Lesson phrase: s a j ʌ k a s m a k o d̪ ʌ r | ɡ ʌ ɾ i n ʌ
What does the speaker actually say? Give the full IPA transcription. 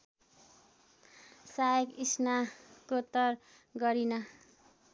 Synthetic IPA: s a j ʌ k i s n a k o t̪ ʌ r | ɡ ʌ ɾ i n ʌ